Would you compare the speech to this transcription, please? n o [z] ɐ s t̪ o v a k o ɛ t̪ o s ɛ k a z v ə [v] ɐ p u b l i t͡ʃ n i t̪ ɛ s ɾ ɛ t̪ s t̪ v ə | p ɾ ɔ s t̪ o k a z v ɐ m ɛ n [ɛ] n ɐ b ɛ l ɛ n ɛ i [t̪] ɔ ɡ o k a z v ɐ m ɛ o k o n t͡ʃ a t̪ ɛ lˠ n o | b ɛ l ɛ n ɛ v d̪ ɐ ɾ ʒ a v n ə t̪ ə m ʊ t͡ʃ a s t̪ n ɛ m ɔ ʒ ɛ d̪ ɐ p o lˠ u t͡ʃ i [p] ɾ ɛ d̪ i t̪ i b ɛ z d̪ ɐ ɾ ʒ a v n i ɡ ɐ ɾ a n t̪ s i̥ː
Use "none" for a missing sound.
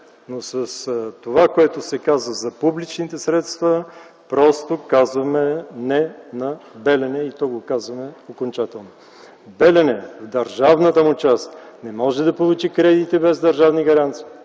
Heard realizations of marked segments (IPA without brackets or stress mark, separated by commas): s, z, ɛ, t̪, k